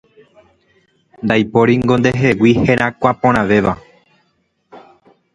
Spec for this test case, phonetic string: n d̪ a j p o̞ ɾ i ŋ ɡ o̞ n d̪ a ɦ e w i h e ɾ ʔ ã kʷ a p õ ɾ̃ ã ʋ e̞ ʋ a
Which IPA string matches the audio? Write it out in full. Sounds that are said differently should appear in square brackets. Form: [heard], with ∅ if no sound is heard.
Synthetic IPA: n d̪ a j p o̞ ɾ i ŋ ɡ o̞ n d̪ [e] ɦ e w i h e ɾ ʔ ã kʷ a p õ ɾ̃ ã ʋ e̞ ʋ a

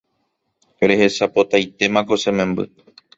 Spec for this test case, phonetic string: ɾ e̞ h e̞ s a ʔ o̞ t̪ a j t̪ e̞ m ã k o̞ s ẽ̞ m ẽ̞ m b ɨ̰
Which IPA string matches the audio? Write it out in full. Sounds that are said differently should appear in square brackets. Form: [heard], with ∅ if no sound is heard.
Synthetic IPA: ɾ e̞ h e̞ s a [p] o̞ t̪ a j t̪ e̞ m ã k o̞ s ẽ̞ m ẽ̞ m b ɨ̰

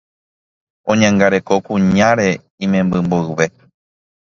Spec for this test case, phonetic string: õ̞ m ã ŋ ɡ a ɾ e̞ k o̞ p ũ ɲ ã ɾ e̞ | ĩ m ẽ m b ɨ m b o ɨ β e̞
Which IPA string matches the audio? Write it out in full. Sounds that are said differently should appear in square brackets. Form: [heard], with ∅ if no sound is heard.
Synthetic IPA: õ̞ [ɲ] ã ŋ ɡ a ɾ e̞ k o̞ [k] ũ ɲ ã ɾ e̞ | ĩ m ẽ m b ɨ m b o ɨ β e̞

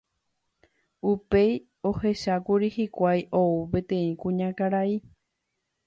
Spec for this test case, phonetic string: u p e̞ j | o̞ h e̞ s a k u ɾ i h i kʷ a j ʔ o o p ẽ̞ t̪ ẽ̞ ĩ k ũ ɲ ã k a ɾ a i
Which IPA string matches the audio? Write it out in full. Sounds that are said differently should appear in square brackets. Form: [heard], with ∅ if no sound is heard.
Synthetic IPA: u p e̞ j | o̞ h e̞ [ʃ] a k u ɾ i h i kʷ a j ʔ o [u] p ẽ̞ t̪ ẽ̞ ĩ k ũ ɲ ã k a ɾ a i

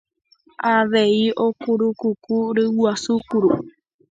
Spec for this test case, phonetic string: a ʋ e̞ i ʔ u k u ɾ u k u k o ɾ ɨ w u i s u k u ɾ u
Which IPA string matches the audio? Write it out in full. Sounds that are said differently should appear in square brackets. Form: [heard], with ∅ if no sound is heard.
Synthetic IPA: a ʋ e̞ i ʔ [o] k u ɾ u k u k [u] ɾ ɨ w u [a] s u k u ɾ u

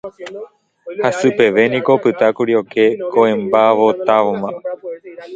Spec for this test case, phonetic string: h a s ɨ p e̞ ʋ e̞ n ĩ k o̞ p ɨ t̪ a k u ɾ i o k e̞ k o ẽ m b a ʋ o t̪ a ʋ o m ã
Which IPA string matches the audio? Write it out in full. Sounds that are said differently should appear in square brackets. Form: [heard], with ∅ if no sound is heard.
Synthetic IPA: h a s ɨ p e̞ ʋ e̞ n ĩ k o̞ p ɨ t̪ a k u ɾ i o k e̞ k o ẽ m b a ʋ o t̪ a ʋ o m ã

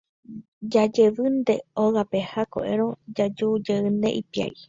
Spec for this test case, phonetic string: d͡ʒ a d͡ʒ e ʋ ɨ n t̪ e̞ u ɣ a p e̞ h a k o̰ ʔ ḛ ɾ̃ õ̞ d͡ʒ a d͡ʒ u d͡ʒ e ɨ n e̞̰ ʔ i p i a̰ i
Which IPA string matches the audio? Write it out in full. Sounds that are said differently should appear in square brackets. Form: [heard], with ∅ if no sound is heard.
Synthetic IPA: d͡ʒ a d͡ʒ e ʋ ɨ n [d̪] e̞ [o] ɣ a p e̞ h a k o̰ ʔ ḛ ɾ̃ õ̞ d͡ʒ a d͡ʒ u d͡ʒ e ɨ n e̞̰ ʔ i p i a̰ i

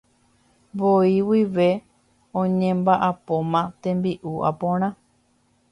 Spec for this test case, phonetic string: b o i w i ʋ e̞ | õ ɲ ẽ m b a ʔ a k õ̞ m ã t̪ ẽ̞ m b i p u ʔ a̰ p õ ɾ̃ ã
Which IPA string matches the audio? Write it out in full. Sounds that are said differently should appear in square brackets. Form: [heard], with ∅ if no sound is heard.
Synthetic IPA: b o i w i ʋ e̞ | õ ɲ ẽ m b a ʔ a [p] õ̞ m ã t̪ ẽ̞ m b i [ʔ] u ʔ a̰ p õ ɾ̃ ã

